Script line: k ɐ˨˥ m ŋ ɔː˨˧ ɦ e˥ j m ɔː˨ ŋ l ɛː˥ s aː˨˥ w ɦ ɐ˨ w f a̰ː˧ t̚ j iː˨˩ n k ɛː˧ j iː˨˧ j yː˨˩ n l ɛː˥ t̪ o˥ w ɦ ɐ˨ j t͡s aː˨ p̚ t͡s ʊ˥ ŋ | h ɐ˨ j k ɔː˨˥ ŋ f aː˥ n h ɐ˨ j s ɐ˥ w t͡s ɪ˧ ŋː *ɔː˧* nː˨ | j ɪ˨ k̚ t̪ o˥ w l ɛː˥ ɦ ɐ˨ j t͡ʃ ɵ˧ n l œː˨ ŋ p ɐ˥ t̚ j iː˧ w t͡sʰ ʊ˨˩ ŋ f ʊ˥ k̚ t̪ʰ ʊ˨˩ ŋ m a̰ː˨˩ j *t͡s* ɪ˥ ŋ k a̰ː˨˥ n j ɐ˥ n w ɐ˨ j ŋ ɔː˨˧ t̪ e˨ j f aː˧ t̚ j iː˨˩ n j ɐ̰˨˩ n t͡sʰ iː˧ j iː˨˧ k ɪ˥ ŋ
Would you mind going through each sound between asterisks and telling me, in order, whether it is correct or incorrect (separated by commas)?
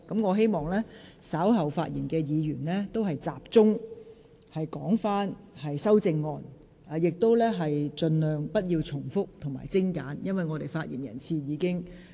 correct, correct